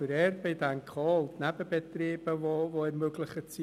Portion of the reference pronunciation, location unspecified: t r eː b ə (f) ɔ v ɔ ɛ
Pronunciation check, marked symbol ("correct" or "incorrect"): incorrect